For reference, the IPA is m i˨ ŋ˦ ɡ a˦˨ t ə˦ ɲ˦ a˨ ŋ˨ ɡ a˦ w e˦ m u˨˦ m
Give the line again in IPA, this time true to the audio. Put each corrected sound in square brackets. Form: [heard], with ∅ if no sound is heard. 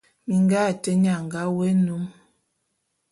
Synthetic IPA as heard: m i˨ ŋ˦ ɡ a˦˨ t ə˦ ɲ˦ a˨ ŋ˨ ɡ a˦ w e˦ [n] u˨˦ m